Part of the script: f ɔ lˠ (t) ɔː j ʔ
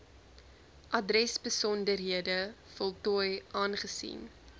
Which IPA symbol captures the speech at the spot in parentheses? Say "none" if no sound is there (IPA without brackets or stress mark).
t